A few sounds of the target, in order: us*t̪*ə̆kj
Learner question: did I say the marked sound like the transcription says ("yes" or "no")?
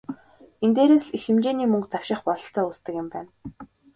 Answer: yes